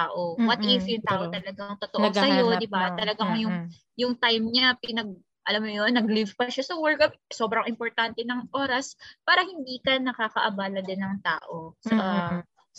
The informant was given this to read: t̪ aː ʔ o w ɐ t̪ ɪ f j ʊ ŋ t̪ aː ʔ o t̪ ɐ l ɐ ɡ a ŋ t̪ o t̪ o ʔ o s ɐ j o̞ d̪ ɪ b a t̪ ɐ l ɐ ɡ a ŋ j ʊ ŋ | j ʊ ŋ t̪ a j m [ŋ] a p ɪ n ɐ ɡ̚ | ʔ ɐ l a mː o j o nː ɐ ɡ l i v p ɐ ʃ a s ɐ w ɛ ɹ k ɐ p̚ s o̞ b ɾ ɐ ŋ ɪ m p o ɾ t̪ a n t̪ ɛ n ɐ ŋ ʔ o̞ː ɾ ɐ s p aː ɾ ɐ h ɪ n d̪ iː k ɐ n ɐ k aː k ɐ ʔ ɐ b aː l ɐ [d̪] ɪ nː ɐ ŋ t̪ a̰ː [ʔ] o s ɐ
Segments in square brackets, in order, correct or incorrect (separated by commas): incorrect, correct, correct